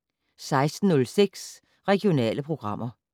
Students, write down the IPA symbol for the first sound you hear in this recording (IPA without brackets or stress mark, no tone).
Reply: s